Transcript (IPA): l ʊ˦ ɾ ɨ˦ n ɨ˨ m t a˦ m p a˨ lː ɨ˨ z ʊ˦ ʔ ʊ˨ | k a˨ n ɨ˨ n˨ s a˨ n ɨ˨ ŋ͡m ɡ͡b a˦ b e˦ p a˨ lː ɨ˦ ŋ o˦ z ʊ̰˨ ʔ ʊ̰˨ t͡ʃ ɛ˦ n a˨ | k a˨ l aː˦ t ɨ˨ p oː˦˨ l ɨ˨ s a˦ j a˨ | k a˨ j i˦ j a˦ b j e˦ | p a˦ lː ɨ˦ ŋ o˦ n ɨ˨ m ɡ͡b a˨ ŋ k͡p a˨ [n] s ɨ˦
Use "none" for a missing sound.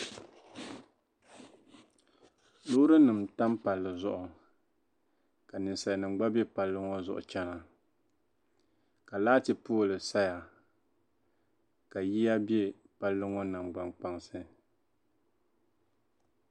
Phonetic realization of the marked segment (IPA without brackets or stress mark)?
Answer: ŋ